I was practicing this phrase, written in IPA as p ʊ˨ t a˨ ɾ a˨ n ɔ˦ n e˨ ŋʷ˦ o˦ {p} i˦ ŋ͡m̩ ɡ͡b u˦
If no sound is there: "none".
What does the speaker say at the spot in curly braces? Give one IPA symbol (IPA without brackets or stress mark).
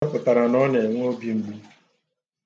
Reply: b